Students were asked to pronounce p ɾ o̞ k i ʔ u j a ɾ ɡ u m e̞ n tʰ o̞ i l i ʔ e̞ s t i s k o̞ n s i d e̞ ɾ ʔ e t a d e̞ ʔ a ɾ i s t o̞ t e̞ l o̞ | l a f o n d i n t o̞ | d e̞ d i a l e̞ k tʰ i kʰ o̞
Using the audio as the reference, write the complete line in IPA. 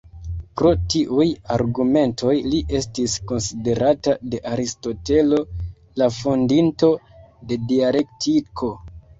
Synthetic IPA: p ɾ o̞ t i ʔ u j a ɾ ɡ u m e̞ n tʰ o̞ j l i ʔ e̞ s t i s k o̞ n s i d e̞ ɾ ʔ a t a d e̞ ʔ a ɾ i s t o̞ t e̞ l o̞ | l a f o n d i n t o̞ | d e̞ d i a l e̞ k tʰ i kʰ o̞